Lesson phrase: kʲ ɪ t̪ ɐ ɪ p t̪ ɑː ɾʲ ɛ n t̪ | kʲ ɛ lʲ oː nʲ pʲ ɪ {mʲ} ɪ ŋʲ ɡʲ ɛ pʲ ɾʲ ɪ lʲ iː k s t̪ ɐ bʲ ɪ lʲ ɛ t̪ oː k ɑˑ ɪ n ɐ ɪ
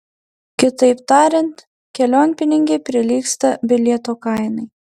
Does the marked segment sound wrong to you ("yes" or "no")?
yes